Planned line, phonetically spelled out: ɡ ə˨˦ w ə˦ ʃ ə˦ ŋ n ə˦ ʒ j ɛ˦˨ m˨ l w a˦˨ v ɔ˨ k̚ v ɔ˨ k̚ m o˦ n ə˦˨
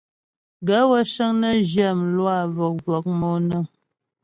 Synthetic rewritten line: ɡ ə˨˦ w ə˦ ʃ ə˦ ŋ n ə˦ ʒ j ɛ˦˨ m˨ l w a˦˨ v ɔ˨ k̚ v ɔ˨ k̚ m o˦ n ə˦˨